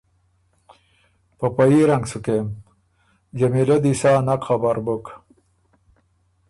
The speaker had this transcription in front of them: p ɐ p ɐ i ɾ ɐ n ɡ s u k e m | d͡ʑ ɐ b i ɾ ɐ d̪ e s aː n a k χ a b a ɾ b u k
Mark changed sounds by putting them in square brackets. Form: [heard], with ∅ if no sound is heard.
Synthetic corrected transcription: p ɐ p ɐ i ɾ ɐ [ŋ] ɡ s u k e m | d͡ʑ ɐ [m] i [l] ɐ d̪ [i] s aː n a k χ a b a ɾ b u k